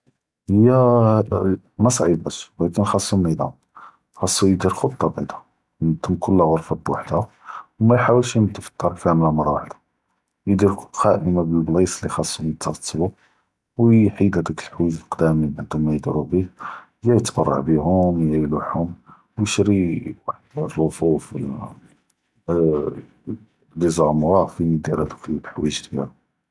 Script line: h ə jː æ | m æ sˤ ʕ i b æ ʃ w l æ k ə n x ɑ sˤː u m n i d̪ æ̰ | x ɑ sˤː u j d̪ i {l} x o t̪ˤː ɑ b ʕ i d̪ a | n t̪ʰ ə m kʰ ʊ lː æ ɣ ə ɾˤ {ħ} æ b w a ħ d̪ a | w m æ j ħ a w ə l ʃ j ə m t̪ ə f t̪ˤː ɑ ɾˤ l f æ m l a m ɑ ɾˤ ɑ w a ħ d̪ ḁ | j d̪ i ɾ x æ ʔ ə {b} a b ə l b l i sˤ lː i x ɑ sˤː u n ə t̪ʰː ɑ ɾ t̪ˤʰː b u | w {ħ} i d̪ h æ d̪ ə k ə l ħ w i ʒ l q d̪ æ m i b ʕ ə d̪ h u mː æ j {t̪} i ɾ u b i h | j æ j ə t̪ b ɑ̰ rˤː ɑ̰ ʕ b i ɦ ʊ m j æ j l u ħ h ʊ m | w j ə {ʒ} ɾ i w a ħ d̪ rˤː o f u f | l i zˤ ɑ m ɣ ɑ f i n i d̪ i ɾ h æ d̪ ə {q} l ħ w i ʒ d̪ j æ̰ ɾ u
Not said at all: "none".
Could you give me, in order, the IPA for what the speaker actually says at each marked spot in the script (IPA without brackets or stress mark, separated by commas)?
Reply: ɾ, f, m, ħ, d̪, ʃ, k